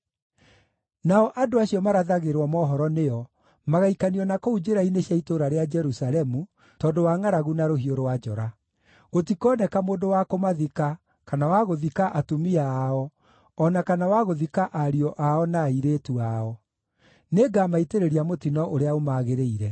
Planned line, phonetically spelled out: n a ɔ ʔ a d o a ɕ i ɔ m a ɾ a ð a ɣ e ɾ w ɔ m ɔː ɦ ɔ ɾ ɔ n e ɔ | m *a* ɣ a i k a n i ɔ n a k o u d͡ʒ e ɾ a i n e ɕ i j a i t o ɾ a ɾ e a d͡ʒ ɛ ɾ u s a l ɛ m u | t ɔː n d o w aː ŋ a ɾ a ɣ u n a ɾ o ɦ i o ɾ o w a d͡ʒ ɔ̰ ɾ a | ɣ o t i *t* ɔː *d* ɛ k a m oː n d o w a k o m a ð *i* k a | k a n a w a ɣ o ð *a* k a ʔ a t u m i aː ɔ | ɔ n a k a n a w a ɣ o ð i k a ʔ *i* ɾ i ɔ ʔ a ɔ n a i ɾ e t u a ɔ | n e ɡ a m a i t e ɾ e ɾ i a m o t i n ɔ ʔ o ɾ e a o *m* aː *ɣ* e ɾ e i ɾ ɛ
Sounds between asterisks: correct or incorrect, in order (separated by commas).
correct, incorrect, incorrect, correct, incorrect, incorrect, correct, correct